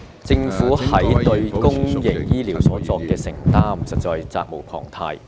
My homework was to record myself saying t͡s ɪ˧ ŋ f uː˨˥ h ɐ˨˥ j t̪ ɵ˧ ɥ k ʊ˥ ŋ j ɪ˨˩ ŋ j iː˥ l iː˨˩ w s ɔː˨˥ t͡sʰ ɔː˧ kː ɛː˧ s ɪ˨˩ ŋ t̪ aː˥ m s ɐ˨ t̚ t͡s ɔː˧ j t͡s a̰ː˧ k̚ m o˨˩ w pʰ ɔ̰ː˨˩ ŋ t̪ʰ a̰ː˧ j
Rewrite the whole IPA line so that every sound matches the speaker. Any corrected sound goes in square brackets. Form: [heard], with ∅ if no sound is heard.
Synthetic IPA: t͡s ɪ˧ ŋ f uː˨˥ h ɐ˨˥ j t̪ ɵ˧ ɥ k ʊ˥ ŋ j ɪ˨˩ ŋ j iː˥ l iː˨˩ w s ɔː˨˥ [t͡s] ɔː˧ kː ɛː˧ s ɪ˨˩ ŋ t̪ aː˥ m s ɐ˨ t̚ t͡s ɔː˧ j t͡s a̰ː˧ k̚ m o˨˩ w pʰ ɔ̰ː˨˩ ŋ t̪ʰ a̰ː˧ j